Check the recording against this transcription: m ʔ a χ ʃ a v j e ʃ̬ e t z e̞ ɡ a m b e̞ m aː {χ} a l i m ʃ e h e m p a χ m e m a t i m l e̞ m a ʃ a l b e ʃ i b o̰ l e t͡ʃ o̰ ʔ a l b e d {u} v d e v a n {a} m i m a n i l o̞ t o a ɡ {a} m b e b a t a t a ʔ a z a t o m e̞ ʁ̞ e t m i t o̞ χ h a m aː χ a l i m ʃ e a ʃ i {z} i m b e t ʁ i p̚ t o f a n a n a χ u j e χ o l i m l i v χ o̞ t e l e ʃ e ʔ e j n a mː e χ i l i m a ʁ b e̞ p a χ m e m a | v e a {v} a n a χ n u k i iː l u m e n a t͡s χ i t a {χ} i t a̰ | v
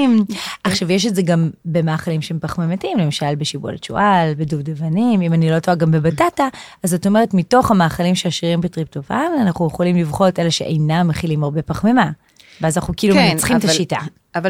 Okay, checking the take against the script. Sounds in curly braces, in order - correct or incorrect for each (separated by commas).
correct, correct, incorrect, correct, incorrect, incorrect, incorrect